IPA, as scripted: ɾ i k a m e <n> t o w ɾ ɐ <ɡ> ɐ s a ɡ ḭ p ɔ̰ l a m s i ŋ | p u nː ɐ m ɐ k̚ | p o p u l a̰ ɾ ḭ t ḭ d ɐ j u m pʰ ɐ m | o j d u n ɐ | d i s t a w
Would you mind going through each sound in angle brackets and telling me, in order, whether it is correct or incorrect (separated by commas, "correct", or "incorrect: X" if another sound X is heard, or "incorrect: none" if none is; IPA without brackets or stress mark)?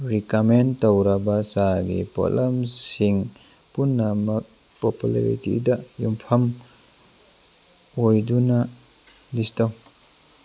correct, incorrect: b